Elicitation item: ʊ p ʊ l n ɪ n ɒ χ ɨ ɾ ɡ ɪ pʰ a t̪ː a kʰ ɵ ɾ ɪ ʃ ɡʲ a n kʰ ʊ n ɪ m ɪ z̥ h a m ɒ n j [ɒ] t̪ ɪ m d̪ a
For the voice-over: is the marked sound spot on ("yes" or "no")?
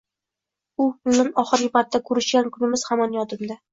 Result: yes